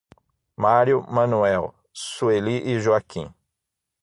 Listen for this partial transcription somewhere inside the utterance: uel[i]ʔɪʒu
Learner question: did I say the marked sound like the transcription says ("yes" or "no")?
yes